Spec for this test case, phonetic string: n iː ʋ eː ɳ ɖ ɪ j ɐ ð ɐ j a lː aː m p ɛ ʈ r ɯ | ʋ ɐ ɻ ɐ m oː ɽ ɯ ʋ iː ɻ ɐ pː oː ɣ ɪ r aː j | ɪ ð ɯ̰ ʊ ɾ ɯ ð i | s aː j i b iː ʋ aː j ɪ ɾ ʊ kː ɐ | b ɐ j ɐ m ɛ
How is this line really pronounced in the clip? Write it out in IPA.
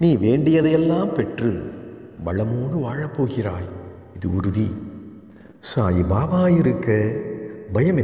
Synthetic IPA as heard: n iː ʋ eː ɳ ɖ ɪ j ɐ ð ɐ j ɛ lː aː m p ɛ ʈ r ɯ | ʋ ɐ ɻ ɐ m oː ɽ ɯ ʋ aː ɻ ɐ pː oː ɣ ɪ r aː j | ɪ ð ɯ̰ ʊ ɾ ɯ ð i | s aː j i b aː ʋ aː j ɪ ɾ ɯ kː ɐ | b ɐ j ɐ m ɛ